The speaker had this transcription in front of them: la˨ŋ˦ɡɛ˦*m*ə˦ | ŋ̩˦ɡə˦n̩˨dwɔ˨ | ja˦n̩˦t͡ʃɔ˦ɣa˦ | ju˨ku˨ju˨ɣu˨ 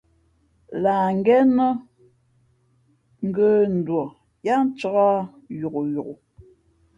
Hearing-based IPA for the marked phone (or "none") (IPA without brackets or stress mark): n